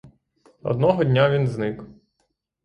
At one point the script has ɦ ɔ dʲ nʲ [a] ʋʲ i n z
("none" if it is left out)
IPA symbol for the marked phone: a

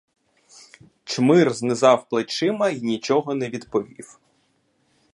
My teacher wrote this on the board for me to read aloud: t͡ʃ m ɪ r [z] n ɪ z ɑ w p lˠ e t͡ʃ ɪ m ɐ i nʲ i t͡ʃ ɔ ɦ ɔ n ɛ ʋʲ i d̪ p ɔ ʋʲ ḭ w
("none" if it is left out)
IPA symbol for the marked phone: z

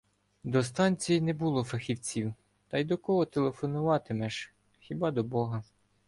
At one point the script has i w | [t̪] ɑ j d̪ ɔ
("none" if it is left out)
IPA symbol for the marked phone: t̪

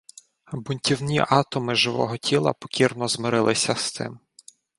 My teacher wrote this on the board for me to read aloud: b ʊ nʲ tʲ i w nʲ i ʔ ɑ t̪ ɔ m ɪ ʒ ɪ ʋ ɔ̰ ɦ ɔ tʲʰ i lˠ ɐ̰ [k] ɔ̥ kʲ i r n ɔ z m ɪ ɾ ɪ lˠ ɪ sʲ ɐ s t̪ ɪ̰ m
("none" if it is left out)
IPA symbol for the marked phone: p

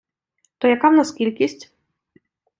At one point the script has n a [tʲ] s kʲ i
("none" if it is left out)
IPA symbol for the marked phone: none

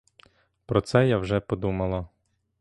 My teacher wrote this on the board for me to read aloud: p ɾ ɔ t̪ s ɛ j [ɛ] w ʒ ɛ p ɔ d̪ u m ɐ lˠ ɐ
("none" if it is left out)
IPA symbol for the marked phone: a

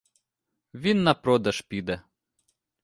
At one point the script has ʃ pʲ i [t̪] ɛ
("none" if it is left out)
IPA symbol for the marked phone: d̪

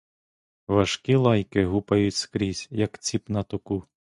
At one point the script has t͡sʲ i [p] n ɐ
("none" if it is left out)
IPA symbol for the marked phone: p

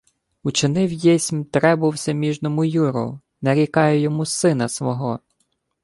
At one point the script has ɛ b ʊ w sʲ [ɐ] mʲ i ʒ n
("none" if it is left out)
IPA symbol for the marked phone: ɐ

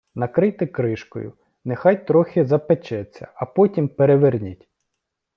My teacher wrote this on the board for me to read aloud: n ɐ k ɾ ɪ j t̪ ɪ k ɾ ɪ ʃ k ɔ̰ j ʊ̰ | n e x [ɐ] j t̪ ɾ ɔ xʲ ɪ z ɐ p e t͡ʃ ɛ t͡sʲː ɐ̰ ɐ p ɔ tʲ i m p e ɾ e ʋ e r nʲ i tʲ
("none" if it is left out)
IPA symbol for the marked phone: ɑ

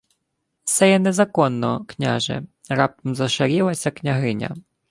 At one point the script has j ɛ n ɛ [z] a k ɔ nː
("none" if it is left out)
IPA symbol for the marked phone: z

